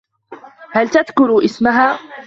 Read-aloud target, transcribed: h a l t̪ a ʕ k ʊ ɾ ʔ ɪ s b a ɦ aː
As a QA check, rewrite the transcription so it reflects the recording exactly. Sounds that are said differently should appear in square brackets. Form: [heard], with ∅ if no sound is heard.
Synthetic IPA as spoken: h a l t̪ a [ð] k ʊ ɾ ʔ ɪ s [m] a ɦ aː